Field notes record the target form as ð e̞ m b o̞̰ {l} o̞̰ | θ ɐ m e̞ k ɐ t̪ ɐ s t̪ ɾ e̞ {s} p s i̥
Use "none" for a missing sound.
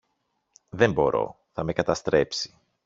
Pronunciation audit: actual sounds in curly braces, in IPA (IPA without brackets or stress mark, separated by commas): ɾ, none